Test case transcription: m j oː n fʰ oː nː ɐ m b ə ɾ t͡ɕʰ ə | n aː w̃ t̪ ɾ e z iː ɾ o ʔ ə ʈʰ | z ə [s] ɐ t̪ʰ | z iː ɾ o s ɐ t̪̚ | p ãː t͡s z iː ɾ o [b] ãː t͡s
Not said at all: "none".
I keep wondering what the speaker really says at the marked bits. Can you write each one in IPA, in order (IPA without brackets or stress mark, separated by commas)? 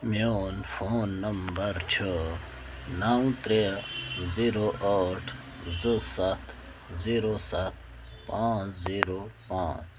s, p